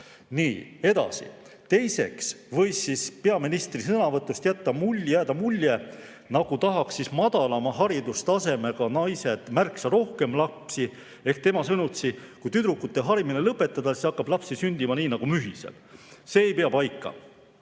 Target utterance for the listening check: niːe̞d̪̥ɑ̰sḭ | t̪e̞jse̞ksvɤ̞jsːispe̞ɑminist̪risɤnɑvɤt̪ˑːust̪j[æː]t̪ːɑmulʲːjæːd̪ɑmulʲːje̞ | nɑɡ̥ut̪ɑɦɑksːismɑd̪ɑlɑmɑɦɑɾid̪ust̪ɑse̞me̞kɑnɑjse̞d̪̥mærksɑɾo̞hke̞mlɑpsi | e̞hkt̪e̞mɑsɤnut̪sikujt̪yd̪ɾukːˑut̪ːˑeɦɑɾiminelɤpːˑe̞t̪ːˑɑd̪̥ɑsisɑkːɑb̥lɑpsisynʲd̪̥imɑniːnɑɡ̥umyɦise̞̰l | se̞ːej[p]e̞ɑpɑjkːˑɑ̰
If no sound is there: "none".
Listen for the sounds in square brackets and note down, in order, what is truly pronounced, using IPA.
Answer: æ, p

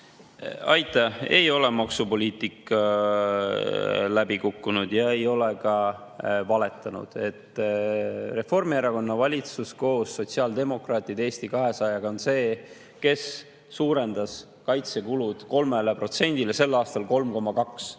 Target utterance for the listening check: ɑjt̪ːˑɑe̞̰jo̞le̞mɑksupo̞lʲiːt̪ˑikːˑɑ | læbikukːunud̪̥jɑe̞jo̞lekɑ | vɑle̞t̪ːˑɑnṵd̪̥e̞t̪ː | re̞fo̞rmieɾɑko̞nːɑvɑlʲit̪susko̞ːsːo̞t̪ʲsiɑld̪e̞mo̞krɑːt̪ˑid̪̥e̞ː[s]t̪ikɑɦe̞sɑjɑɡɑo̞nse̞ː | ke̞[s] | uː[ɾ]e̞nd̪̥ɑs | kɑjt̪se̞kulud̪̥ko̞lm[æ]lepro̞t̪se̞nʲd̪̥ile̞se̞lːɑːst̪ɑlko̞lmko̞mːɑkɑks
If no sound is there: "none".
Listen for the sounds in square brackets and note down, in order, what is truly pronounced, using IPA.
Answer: s, sː, ɾ, e

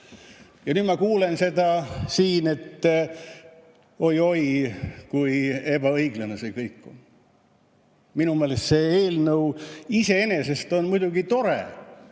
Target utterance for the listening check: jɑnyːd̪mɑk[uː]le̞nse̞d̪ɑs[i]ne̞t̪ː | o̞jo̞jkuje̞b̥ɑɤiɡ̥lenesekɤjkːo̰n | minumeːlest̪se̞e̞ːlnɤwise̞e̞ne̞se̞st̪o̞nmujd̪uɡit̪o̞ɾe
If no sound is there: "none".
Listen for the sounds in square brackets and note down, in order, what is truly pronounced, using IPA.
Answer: uː, iː

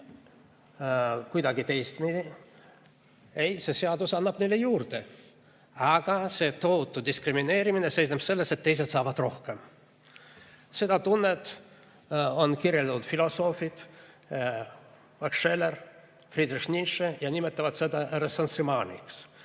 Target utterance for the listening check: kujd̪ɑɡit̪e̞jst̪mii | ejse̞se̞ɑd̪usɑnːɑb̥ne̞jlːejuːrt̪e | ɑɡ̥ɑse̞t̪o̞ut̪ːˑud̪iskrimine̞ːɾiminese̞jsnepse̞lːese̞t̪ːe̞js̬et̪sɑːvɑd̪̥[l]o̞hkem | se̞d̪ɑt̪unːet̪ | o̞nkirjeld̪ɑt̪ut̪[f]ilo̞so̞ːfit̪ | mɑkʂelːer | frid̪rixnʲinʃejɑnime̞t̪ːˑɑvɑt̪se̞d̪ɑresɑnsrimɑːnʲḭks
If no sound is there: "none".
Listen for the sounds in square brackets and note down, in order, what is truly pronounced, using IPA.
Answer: r, f

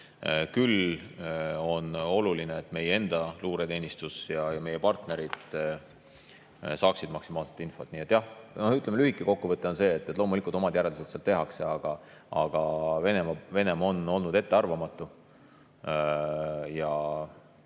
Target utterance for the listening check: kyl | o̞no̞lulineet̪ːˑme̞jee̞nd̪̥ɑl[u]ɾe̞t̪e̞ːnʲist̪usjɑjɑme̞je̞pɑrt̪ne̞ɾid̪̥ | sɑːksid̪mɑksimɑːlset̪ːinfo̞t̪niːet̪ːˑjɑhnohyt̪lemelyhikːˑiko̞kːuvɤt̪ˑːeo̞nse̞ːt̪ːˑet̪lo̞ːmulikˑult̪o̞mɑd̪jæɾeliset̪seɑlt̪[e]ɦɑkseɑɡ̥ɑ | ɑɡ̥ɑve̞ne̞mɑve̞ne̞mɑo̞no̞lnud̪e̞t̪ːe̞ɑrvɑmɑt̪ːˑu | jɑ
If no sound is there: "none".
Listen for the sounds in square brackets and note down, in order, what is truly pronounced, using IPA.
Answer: uː, e

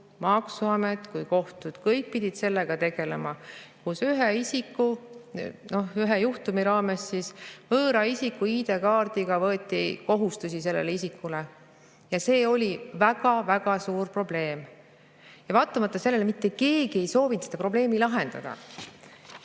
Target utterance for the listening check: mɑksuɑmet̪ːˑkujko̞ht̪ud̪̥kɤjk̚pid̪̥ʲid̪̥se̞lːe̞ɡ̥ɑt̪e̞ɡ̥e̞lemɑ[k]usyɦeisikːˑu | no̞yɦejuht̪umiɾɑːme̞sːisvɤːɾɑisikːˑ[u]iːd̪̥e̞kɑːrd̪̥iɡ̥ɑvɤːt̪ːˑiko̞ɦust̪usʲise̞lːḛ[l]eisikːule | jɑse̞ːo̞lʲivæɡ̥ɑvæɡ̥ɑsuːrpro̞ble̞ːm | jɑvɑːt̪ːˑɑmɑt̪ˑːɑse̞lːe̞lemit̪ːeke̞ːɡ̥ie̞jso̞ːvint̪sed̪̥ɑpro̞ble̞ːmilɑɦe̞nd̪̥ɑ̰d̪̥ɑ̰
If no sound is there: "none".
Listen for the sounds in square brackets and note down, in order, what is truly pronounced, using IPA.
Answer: k, u, l

